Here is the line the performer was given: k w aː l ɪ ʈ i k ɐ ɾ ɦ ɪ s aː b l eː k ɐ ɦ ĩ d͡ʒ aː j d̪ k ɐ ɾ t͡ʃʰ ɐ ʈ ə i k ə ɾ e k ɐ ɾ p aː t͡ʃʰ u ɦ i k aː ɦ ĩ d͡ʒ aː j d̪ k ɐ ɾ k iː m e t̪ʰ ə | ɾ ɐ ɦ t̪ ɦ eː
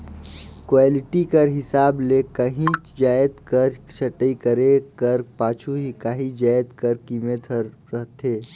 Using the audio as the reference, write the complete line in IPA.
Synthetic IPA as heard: k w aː l ɪ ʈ i k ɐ ɾ ɦ ɪ s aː b l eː k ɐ ɦ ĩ d͡ʒ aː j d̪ k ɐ ɾ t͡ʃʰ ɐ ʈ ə i k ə ɾ e k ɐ ɾ p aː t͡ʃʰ u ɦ i k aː ɦ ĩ d͡ʒ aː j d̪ k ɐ ɾ k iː m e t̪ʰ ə | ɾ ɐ ɦ t̪ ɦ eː